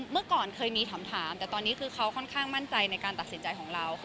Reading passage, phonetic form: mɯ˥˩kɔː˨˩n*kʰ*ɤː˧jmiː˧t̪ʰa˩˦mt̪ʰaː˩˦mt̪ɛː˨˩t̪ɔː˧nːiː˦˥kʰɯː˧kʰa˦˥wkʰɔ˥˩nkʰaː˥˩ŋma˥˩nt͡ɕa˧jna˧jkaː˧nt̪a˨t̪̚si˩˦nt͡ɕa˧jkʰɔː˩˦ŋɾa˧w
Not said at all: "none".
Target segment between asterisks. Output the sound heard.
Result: kʰ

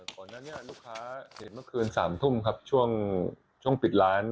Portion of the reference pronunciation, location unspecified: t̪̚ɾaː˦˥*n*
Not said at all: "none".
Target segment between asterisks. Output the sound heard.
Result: n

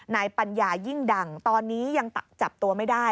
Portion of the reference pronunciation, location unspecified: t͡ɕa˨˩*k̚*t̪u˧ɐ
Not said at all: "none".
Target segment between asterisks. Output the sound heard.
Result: p̚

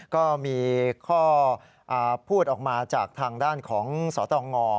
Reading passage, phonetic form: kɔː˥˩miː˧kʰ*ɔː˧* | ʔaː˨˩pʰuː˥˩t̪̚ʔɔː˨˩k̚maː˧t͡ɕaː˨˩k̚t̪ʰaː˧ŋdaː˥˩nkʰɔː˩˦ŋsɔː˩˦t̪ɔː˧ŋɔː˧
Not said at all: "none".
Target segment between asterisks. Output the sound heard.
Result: ɔː˥˩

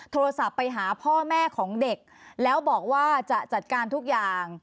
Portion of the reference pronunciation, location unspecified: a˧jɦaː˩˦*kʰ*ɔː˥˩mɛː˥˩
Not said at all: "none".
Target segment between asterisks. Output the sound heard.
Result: pʰ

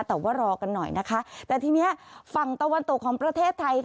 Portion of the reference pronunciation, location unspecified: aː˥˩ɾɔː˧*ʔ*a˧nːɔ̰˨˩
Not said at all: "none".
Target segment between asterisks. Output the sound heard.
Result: k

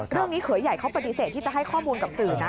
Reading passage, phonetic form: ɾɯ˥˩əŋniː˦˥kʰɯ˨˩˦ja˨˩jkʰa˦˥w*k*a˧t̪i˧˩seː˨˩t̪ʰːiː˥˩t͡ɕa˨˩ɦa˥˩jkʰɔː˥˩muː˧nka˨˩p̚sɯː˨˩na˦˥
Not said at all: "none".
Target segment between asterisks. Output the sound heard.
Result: p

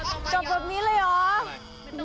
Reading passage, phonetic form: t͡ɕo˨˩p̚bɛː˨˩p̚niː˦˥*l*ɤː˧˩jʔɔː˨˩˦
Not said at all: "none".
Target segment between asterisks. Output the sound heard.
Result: l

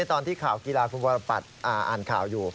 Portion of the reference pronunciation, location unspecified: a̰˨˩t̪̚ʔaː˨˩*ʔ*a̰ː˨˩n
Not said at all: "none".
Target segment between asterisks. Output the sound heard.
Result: ʔ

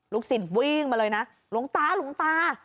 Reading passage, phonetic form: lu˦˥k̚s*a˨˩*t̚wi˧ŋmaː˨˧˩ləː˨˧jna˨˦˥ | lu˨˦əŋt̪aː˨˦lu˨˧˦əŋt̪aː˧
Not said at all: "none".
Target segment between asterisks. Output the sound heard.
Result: i˨˩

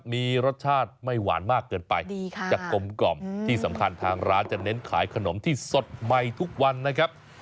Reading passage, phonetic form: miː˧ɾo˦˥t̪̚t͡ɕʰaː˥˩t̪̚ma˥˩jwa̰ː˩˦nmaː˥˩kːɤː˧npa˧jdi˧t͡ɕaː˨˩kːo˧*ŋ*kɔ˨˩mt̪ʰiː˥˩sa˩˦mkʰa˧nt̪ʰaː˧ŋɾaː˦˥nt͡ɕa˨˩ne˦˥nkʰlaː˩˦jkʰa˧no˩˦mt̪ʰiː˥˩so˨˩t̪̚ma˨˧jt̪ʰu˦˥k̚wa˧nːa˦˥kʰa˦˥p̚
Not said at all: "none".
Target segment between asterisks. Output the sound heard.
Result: m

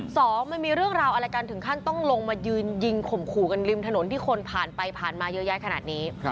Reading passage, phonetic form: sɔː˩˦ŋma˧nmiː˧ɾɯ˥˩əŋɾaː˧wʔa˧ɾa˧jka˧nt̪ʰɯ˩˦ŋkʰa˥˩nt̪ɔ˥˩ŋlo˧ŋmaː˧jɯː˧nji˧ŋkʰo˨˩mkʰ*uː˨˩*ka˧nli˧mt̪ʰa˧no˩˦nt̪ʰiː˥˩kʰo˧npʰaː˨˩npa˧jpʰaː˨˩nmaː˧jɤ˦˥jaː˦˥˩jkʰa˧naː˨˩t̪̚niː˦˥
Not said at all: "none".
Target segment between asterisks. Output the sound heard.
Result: uː˨˩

